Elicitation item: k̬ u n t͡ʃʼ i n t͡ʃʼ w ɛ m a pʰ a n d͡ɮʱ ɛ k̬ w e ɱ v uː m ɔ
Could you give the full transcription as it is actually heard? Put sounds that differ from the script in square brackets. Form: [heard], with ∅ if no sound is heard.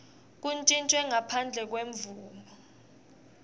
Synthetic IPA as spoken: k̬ u n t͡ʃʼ i n t͡ʃʼ w ɛ [ŋ] a pʰ a n d͡ɮʱ ɛ k̬ w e ɱ v uː m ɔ